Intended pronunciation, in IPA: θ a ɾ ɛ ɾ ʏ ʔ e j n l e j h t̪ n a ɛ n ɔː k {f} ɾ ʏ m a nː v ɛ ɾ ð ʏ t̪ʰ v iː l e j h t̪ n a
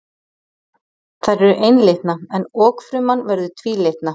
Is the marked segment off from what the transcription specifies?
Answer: no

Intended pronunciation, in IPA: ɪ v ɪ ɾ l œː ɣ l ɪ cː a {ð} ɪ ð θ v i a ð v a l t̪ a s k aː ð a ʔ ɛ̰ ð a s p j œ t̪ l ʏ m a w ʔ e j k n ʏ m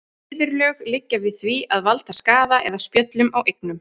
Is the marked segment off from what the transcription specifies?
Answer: yes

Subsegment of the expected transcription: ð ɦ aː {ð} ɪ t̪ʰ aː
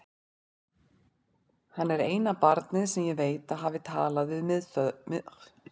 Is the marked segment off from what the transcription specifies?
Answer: yes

